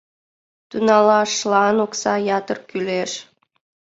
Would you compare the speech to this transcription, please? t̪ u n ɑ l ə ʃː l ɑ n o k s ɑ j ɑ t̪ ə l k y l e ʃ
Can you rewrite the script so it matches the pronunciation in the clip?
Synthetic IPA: t̪ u n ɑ l ɑ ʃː l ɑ n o k s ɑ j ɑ t̪ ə r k y l e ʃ

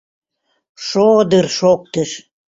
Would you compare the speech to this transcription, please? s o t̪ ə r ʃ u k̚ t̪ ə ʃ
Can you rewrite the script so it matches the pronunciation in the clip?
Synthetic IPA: ʃ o d̪ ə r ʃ o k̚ t̪ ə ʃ

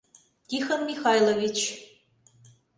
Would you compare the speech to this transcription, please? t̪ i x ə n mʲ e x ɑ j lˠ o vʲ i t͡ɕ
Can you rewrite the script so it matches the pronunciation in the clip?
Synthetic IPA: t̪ i x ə n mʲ i x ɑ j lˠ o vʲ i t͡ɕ

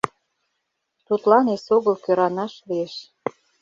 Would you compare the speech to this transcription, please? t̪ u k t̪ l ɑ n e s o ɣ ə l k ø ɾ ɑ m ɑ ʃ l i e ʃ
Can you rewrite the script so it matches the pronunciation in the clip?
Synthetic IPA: t̪ u t̪ l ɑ n e s o ɣ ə l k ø ɾ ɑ n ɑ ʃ l i e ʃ

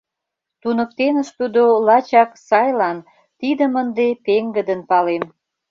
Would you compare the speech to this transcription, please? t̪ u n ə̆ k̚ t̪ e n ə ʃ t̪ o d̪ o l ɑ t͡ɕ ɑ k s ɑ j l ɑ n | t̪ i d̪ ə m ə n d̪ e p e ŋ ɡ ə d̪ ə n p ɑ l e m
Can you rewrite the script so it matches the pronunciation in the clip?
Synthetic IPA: t̪ u n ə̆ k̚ t̪ e n ə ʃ t̪ u d̪ o l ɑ t͡ɕ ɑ k s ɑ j l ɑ n | t̪ i d̪ ə m ə n d̪ e p e ŋ ɡ ə d̪ ə n p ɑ l e m

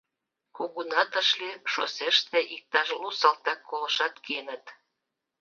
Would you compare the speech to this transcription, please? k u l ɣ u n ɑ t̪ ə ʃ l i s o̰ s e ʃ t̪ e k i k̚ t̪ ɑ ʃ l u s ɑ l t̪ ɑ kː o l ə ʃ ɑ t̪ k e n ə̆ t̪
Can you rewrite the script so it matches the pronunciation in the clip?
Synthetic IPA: k u ɣ u n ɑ t̪ ə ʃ l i ʃ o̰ s e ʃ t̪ e ʔ i k̚ t̪ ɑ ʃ l u s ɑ l t̪ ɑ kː o l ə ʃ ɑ t̪ k e n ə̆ t̪

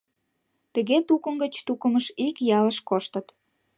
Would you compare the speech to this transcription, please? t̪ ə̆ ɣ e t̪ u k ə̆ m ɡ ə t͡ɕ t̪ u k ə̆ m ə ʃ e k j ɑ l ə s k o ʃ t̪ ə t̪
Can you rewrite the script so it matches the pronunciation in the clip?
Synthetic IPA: t̪ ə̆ ɣ e t̪ u k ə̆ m ɡ ə t͡ɕ t̪ u k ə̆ m ə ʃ i k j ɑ l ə ʃ k o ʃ t̪ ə t̪

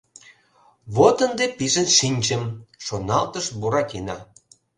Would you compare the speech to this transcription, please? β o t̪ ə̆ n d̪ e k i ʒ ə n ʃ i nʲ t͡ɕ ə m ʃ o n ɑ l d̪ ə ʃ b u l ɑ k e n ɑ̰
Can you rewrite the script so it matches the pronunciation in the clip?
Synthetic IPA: β o t̪ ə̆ n d̪ e p i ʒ ə n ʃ i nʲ t͡ɕ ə m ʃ o n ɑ l t̪ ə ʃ b u ɾ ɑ k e n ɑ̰

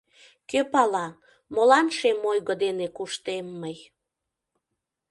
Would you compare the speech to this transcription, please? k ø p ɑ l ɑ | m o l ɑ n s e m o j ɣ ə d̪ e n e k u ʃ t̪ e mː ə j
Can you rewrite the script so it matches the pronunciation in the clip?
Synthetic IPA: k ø p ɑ l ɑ | m o l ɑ n ʃ e m o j ɣ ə d̪ e n e k u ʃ t̪ e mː ə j

